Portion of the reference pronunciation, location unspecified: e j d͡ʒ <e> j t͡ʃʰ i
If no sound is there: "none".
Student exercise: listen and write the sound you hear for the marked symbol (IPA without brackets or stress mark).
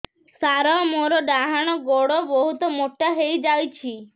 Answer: a